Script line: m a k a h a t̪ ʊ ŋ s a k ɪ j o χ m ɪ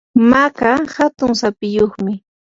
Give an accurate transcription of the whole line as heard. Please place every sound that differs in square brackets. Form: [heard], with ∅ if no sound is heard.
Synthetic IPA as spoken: m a k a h a t̪ ʊ ŋ s a [p] ɪ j o χ m ɪ